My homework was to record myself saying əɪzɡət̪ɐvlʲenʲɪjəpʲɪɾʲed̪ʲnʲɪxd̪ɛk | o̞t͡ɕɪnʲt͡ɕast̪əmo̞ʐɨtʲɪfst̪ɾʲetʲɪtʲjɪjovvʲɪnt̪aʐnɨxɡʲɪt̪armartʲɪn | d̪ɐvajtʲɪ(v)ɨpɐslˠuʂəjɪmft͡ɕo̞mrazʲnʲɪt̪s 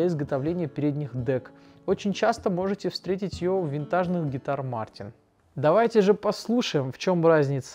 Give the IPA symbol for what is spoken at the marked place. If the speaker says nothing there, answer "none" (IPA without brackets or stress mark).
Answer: ʐ